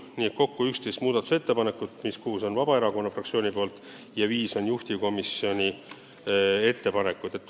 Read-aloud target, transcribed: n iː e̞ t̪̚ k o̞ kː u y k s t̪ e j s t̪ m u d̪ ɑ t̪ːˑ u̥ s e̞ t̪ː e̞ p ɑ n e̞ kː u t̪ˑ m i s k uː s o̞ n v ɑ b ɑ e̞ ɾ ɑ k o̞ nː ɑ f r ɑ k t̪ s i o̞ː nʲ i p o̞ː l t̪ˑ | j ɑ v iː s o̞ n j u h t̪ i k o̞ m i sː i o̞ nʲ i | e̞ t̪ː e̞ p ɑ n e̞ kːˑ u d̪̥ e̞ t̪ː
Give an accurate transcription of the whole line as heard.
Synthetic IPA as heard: n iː e̞ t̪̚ k o̞ kː u y k s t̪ e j s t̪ m uː d̪ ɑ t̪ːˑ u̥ s e̞ t̪ː e̞ p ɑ n e̞ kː u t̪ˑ m i s k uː s o̞ n v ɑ b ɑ e̞ ɾ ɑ k o̞ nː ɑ f r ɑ k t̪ s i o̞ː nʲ i p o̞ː l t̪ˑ | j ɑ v iː s o̞ n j u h t̪ i k o̞ m i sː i o̞ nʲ i | e̞ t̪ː e̞ p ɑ n e̞ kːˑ u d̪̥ e̞ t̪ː